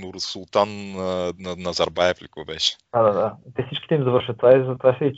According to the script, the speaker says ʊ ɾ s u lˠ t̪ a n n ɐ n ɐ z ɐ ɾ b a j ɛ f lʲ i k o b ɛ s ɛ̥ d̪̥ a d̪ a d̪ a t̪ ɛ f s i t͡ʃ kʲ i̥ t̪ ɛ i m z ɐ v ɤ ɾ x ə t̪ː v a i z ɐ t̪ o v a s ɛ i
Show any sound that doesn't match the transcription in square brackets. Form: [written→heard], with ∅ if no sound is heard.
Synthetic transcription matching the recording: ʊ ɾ s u lˠ t̪ a n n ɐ n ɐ z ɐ ɾ b a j ɛ f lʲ i k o b ɛ [s→ʃ] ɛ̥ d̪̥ a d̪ a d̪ a t̪ ɛ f s i t͡ʃ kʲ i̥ t̪ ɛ i m z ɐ v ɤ ɾ [x→ʃ] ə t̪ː v a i z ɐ t̪ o v a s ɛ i